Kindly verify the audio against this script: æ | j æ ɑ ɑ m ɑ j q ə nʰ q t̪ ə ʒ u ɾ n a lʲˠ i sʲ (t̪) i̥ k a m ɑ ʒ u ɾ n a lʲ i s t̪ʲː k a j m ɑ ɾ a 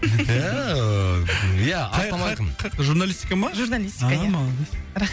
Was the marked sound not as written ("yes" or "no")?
no